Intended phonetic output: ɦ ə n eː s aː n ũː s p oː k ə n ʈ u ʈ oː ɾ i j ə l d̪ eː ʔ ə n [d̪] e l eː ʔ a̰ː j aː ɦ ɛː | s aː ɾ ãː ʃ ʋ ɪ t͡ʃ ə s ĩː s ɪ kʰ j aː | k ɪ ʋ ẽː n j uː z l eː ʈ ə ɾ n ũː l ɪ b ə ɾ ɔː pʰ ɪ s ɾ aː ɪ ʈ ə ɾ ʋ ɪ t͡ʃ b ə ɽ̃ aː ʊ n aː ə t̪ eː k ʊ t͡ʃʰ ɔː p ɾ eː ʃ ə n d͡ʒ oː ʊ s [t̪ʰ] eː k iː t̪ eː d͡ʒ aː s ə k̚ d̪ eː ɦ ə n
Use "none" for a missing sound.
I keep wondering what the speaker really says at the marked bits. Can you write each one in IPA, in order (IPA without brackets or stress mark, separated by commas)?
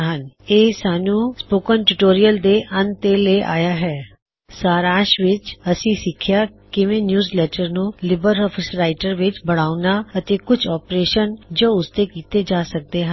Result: t̪, t̪